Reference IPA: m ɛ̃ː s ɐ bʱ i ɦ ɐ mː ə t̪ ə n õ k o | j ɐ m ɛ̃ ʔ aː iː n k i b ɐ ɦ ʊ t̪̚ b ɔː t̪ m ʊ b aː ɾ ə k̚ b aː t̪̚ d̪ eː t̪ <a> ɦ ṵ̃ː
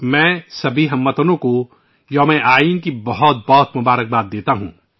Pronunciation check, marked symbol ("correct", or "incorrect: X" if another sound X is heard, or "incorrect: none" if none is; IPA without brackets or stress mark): correct